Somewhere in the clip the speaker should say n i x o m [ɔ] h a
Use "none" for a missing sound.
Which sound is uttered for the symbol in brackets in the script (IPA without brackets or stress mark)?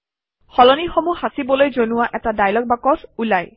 u